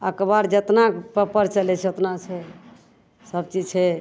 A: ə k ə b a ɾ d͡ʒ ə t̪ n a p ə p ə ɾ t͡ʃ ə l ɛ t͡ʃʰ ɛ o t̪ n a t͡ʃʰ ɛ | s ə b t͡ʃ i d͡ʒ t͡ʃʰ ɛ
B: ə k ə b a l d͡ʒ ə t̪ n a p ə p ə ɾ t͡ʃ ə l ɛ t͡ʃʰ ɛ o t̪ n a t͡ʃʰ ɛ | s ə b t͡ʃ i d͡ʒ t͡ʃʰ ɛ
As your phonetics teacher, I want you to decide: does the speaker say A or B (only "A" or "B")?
A